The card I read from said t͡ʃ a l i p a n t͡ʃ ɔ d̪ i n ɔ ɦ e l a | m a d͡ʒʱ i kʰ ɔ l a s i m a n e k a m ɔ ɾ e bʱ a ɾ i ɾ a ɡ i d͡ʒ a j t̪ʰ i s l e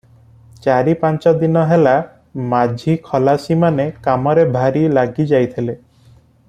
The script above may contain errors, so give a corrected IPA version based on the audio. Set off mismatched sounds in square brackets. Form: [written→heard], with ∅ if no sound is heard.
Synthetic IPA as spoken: t͡ʃ a [l→ɾ] i p a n t͡ʃ ɔ d̪ i n ɔ ɦ e l a | m a d͡ʒʱ i kʰ ɔ l a s i m a n e k a m ɔ ɾ e bʱ a ɾ i [ɾ→l] a ɡ i d͡ʒ a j t̪ʰ i [s→∅] l e